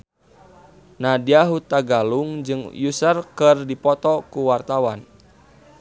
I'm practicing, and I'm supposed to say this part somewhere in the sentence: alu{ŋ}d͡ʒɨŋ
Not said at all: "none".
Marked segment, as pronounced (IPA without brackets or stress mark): ŋ